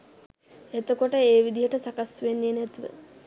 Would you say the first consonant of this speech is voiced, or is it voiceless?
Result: voiceless